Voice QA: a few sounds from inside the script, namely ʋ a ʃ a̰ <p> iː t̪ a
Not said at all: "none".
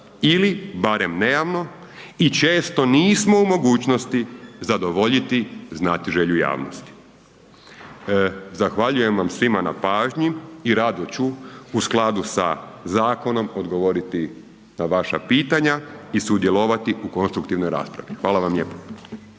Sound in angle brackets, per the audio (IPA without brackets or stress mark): p